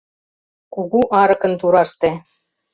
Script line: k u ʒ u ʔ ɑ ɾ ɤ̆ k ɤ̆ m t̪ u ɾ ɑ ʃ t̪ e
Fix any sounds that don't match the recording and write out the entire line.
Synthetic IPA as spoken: k u ɣ u ʔ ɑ ɾ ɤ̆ k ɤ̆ n t̪ u ɾ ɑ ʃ t̪ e